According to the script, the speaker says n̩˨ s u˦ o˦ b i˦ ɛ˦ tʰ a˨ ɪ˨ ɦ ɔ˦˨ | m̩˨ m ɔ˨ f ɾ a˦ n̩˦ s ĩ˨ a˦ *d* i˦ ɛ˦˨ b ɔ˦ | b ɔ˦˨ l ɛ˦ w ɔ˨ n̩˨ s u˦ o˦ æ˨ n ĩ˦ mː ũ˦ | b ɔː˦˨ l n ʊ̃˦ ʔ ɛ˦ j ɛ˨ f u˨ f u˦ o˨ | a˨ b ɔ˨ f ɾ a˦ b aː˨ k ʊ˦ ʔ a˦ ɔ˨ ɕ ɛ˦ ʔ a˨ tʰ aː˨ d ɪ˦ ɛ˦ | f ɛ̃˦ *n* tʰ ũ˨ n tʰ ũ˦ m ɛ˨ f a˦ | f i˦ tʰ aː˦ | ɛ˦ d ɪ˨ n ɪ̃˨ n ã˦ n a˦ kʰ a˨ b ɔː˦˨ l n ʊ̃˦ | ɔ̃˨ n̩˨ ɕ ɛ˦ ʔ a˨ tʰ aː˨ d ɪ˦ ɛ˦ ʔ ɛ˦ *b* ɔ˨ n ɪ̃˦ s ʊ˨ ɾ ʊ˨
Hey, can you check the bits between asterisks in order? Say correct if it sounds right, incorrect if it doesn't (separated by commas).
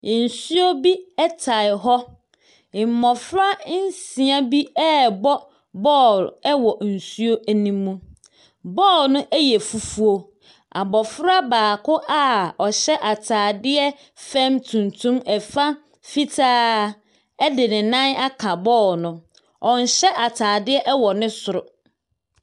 incorrect, incorrect, incorrect